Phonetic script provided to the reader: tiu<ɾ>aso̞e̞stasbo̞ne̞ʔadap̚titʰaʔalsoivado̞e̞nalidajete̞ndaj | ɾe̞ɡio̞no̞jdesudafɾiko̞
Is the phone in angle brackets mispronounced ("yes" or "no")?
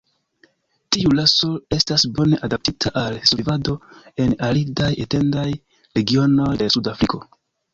yes